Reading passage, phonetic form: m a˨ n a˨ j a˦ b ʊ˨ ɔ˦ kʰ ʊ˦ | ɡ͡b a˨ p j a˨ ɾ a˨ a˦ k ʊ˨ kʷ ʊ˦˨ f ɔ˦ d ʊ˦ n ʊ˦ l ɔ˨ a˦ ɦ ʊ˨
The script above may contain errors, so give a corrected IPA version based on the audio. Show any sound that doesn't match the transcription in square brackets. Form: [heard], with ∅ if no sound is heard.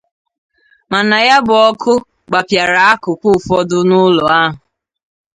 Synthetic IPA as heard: m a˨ n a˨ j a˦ b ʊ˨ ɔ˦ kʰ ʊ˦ | ɡ͡b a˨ p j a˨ ɾ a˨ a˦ k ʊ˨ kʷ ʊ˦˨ f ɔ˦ d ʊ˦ n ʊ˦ l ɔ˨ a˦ ɦ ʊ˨

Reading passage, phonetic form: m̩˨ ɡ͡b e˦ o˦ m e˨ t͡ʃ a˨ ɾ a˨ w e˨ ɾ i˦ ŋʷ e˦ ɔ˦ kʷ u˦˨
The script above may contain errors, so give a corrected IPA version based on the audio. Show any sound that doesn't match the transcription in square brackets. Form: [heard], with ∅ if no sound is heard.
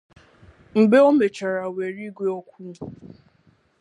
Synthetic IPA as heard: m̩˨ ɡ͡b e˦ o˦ m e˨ t͡ʃ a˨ ɾ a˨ w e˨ ɾ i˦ [ɡʷ] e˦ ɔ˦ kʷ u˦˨

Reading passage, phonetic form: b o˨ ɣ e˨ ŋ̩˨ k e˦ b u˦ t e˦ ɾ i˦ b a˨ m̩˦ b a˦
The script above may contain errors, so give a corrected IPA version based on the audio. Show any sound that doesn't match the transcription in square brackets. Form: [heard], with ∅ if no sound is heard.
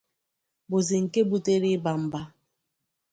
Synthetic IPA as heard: b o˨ [z] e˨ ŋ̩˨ k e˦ b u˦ t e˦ ɾ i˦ b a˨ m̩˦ b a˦

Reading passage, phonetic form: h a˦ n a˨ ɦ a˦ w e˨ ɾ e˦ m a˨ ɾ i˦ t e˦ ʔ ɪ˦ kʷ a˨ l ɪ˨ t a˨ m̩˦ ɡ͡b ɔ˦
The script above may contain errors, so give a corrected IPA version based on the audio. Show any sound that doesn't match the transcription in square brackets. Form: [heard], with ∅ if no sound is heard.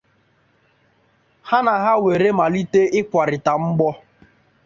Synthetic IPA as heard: h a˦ n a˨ ɦ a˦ w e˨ ɾ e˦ m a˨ [l] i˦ t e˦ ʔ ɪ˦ kʷ a˨ [ɾ] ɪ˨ t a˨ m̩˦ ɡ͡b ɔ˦

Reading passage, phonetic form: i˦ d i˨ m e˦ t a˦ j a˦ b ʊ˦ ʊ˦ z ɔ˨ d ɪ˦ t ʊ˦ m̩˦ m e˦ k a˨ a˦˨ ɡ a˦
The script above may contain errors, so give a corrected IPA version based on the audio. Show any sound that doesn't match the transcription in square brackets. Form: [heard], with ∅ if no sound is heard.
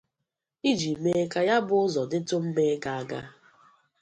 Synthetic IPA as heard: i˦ [d͡ʒ] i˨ m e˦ [k] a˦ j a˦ b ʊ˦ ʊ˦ z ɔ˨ d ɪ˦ t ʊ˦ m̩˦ m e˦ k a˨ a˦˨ ɡ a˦

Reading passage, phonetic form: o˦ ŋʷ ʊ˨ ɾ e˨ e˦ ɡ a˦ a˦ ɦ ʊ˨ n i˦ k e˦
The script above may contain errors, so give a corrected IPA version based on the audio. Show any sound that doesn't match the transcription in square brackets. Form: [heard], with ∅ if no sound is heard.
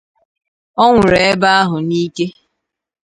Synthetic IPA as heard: [ɔ˦] ŋʷ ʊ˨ ɾ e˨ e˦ [b] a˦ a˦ ɦ ʊ˨ n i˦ k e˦

